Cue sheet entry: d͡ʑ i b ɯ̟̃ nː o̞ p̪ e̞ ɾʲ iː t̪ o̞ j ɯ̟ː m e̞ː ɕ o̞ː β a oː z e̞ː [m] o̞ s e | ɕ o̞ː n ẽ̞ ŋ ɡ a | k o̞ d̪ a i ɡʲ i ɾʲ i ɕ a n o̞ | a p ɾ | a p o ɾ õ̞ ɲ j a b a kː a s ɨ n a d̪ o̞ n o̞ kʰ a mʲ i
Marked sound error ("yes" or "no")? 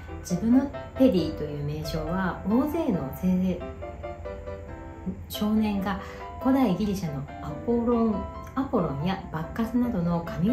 yes